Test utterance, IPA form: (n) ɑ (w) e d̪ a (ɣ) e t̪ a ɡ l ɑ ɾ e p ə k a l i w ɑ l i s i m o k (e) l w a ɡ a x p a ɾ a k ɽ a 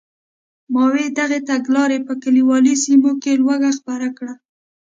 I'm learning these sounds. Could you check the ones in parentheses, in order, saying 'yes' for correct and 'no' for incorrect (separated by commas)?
no, yes, yes, yes